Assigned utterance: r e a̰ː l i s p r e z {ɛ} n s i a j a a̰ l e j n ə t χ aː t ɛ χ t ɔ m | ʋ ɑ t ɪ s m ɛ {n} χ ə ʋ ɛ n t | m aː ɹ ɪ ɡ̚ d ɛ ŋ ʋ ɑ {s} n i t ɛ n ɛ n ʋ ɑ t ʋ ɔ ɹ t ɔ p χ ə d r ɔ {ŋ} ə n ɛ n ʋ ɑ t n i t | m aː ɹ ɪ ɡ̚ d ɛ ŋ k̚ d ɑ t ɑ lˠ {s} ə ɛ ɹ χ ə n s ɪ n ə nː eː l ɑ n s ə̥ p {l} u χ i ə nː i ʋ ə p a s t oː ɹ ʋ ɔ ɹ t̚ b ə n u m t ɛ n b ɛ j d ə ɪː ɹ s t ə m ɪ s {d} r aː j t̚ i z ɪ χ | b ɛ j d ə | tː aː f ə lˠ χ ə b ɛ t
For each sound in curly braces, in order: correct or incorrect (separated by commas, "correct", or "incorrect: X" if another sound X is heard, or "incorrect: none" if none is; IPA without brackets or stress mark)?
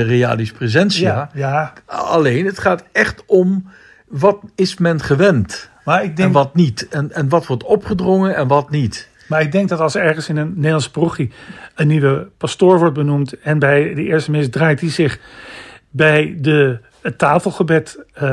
correct, correct, incorrect: t, correct, correct, incorrect: r, correct